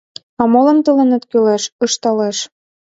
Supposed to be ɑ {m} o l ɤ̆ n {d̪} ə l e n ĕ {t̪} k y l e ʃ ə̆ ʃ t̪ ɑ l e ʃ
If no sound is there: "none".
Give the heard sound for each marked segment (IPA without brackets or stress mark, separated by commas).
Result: m, t̪, t̪